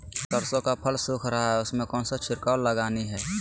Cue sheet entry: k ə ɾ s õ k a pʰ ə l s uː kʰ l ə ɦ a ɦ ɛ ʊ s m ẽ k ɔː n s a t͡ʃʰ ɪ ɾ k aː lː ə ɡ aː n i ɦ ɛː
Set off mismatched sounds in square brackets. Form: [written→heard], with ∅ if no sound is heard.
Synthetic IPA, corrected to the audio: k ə ɾ s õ k a pʰ ə l s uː kʰ [l→ɾ] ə ɦ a ɦ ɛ ʊ s m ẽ k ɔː n s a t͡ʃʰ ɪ ɾ k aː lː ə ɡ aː n i ɦ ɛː